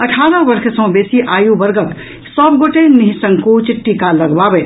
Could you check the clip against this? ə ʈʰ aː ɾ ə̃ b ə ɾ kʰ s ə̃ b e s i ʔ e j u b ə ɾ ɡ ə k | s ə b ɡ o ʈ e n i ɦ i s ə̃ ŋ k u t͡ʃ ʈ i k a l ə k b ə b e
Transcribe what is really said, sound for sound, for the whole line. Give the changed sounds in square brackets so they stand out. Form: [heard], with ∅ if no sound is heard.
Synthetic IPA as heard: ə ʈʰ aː ɾ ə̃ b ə ɾ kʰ s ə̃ b e s i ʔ [a] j u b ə ɾ ɡ ə k | s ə b ɡ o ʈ e n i ɦ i s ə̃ ŋ k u t͡ʃ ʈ i k a l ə [ɡ] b [a] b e